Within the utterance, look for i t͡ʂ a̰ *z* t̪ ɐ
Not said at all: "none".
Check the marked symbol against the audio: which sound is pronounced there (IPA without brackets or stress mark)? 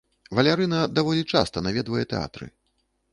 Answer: s